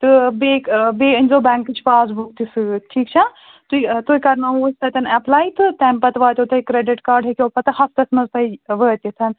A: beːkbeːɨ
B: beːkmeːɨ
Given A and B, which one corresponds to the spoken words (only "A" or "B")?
A